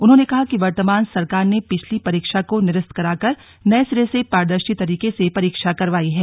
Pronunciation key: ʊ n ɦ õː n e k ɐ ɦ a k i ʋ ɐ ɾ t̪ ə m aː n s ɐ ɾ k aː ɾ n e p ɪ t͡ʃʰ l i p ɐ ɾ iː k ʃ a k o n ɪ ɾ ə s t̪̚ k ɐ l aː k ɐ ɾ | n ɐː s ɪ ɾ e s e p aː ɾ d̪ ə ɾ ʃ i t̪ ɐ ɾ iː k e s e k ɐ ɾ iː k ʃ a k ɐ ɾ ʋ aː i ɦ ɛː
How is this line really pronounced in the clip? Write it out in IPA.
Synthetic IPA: ʊ n ɦ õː n e k ɐ ɦ a k i ʋ ɐ ɾ t̪ ə m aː n s ɐ ɾ k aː ɾ n e p ɪ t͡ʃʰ l i p ɐ ɾ iː k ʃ a k o n ɪ ɾ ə s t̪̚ k ɐ ɾ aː k ɐ ɾ | n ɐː s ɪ ɾ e s e p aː ɾ d̪ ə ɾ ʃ i t̪ ɐ ɾ iː k e s e p ɐ ɾ iː k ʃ a k ɐ ɾ ʋ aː i ɦ ɛː